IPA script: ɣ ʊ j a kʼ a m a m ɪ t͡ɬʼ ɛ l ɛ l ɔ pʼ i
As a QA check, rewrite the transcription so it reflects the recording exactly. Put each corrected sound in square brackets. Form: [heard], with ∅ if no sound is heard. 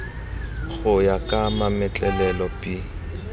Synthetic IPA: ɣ ʊ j a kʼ a m a m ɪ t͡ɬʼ ɛ l ɛ l ɔ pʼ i

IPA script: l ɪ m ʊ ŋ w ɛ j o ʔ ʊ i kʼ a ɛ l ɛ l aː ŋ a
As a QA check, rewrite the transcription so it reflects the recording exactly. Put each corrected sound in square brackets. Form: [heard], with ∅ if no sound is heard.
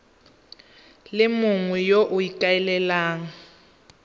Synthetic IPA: l ɪ m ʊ ŋ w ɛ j o ʔ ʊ i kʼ a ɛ l ɛ l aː ŋ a

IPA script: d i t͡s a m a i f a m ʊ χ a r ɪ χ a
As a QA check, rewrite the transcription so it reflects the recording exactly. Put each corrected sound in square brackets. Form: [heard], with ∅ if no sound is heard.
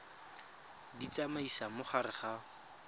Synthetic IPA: d i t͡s a m a i [s] a m ʊ χ a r ɪ χ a

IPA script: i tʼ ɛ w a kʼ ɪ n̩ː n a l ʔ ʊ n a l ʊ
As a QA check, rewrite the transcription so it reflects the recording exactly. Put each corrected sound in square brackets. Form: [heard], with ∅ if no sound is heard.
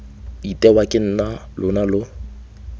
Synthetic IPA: i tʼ ɛ w a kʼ ɪ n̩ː n a l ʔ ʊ n a l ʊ

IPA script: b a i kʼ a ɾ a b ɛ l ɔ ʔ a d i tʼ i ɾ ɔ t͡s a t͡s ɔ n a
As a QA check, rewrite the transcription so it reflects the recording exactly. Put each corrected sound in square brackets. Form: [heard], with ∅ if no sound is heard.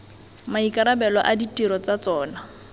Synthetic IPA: [m] a i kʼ a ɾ a b ɛ l ɔ ʔ a d i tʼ i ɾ ɔ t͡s a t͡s [ɔː] n a

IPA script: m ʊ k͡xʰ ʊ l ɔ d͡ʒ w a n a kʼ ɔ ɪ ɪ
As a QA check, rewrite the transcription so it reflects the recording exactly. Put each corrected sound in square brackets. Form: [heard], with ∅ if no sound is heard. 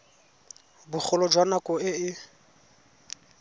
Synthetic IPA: [b] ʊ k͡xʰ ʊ l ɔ d͡ʒ w a n a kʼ ɔ ɪ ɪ

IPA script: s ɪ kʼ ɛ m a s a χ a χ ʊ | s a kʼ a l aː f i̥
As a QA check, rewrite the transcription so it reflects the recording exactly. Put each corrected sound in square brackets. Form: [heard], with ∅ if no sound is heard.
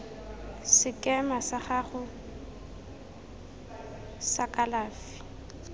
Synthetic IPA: s ɪ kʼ ɛ m a s a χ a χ ʊ | s a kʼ a l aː f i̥

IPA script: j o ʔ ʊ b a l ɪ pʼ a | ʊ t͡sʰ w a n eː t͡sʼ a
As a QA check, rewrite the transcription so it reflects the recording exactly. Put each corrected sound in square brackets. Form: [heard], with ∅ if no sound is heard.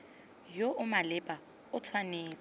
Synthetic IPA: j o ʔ ʊ [m] a l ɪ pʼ a | ʊ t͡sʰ w a n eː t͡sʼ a

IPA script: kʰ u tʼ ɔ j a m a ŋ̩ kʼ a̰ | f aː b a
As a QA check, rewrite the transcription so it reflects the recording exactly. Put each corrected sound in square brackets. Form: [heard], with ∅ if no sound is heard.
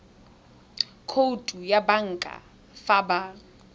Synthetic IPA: kʰ [o] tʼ [u] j a [b] a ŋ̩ kʼ a̰ | f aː b a

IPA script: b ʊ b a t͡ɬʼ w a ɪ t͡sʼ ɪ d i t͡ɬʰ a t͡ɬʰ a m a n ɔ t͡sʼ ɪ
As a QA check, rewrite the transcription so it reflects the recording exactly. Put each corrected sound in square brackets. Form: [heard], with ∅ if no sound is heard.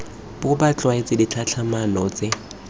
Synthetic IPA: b ʊ b a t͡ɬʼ w a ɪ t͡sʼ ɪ d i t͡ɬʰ a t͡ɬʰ a m a n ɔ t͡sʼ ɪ

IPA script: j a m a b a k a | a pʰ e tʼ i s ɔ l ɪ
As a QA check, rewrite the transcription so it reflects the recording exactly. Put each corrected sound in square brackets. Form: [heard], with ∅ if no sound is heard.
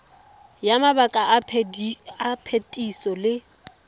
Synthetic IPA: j a m a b a [kʼ] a | a pʰ e tʼ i s ɔ l ɪ

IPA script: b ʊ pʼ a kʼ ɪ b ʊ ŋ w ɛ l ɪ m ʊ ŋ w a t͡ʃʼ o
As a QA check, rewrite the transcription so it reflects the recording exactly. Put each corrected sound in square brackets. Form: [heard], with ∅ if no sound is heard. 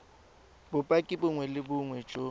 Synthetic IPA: b ʊ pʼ a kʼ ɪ b ʊ ŋ w ɛ l ɪ [b] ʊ ŋ w [ɛ] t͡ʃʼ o

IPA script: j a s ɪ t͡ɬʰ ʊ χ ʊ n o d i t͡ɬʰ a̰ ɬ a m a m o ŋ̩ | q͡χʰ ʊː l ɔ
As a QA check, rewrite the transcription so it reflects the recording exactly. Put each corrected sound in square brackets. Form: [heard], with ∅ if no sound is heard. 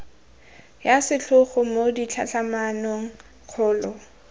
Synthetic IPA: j a s ɪ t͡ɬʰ ʊ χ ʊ [m] o d i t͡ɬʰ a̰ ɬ a m a [n] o ŋ̩ | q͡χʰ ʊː l ɔ

